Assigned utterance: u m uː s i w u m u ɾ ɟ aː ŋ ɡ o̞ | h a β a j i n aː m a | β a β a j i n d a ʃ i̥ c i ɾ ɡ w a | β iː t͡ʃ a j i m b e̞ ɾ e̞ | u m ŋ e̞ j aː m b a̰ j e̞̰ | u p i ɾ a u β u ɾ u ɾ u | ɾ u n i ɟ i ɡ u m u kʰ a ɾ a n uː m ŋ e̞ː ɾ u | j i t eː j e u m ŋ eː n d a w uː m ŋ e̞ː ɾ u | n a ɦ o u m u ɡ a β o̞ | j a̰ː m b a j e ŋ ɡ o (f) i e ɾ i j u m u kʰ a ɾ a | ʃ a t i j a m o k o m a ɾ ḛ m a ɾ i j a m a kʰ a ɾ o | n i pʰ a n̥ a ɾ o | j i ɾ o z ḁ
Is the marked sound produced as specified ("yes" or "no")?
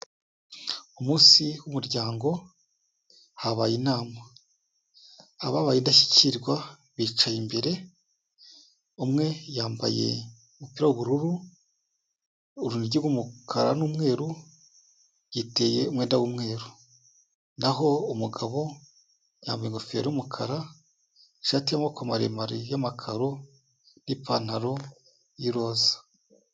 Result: yes